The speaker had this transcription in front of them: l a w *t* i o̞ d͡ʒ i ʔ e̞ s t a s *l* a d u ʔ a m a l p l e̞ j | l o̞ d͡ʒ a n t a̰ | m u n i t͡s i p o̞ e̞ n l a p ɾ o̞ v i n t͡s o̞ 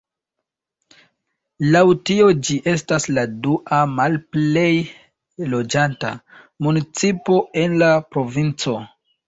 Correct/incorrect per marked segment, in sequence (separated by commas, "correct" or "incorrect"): correct, correct